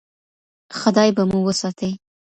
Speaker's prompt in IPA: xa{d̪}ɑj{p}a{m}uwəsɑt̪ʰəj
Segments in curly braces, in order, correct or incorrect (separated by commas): correct, incorrect, correct